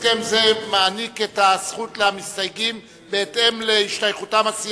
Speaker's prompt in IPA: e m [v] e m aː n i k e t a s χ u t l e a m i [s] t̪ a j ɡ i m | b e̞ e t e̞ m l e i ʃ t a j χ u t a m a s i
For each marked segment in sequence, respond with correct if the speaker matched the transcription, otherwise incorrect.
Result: incorrect: z, correct

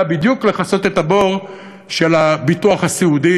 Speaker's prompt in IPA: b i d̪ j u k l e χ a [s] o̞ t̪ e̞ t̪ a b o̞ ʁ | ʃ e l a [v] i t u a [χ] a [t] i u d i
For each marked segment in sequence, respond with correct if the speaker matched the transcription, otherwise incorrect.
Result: correct, incorrect: b, correct, incorrect: s

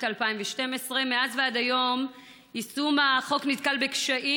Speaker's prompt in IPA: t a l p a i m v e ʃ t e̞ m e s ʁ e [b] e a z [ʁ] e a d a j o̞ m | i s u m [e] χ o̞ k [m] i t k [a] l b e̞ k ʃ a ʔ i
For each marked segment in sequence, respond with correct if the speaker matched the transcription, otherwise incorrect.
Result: incorrect: m, incorrect: v, incorrect: a, incorrect: n, correct

